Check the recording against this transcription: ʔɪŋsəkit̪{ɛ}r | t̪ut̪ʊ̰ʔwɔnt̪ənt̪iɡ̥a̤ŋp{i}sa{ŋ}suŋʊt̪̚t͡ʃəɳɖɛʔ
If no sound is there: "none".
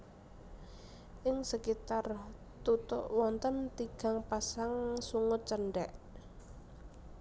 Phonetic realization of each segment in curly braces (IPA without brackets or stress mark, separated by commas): a, a, ŋ